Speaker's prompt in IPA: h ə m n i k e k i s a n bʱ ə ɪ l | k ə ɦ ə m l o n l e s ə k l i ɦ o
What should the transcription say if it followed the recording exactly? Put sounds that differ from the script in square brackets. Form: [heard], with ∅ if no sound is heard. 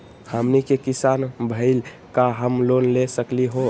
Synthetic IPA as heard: h ə m n i k e k i s a n bʱ ə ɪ l | k [a] ɦ ə m l o n l e s ə k l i ɦ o